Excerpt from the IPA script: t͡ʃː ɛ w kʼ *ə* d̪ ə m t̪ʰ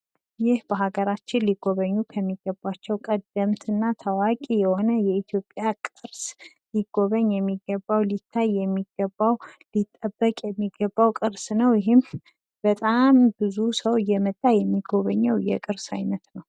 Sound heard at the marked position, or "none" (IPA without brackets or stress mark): ə